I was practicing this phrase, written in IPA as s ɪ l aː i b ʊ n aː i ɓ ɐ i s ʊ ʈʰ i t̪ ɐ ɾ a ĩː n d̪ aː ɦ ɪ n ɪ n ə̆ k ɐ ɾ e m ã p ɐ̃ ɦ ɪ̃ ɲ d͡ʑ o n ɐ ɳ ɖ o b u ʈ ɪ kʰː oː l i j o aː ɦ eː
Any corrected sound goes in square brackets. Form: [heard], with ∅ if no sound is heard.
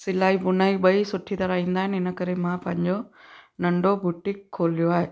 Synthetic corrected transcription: s ɪ l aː i b ʊ n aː i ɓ ɐ i s ʊ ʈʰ i t̪ ɐ ɾ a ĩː n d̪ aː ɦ ɪ n ɪ n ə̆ k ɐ ɾ e m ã p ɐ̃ ɦ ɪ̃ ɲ d͡ʑ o n ɐ ɳ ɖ o b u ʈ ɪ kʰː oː l i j o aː ɦ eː